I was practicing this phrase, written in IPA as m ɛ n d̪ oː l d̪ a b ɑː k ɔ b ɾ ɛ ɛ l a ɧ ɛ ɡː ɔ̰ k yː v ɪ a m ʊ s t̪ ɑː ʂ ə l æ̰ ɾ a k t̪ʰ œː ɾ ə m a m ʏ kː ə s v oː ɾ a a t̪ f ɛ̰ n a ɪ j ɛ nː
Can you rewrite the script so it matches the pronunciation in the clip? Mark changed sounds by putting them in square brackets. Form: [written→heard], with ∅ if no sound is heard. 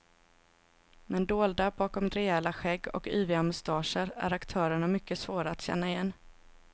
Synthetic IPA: m ɛ n d̪ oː l d̪ a b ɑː k ɔ [b→m] ɾ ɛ ɛ l a ɧ ɛ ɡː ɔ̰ k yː v ɪ a m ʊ s t̪ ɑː ʂ ə [l→ɾ] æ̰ ɾ a k t̪ʰ œː ɾ ə [m→ɳ] a m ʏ kː ə s v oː ɾ a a t̪ [f→ɕ] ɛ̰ [n→nː] a ɪ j ɛ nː